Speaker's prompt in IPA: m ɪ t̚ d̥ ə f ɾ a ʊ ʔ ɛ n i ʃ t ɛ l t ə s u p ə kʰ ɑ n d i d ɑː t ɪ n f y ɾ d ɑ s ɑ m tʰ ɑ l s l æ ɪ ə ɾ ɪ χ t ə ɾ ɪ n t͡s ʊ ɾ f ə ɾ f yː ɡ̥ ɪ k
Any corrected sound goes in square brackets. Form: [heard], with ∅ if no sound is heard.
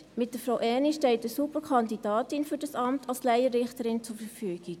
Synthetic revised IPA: m ɪ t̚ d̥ ə f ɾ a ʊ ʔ ɛ n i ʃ t ɛ l t ə s u p ə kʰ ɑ n d i d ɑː t ɪ n f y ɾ d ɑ s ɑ m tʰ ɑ l s l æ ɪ ə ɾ ɪ χ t ə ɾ ɪ n t͡s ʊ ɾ f ə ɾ f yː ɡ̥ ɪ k